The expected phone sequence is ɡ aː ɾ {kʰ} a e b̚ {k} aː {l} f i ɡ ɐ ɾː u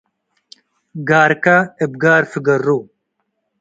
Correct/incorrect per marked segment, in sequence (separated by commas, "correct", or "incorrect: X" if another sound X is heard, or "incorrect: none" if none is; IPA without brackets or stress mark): incorrect: k, incorrect: ɡ, incorrect: ɾ